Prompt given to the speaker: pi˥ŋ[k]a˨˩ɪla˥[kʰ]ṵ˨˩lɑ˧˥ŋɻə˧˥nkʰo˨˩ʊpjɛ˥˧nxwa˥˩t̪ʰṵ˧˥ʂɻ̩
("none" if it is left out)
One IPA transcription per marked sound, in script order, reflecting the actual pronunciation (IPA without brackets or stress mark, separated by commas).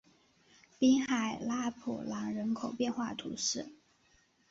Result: x, pʰ